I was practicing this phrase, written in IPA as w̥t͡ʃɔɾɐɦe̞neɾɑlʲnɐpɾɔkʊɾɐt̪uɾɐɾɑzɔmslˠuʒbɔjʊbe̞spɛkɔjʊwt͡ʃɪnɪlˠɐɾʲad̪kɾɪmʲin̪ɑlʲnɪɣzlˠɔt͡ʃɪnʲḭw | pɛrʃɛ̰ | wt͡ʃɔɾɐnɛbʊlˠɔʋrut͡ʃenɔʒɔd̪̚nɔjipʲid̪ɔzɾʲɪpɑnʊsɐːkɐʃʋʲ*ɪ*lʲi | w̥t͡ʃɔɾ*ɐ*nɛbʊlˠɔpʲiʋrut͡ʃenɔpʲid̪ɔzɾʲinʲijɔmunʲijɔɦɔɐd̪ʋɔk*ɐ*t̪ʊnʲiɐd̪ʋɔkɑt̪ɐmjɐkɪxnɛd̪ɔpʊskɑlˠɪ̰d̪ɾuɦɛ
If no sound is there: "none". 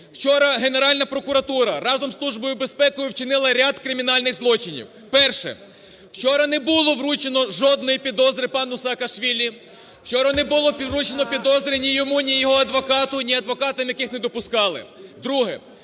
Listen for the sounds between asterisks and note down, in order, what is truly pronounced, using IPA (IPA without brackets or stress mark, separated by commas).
i, ɐ, ɑ